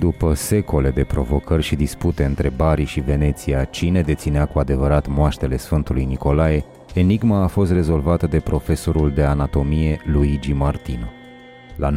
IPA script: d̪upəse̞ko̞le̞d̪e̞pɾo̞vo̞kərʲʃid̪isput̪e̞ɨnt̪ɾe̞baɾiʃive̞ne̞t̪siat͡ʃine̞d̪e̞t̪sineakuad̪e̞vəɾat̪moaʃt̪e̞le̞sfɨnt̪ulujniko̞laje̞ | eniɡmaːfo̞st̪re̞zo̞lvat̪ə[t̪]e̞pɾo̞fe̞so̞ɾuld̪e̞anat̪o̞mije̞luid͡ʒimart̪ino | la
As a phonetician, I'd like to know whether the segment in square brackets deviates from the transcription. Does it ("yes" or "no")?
yes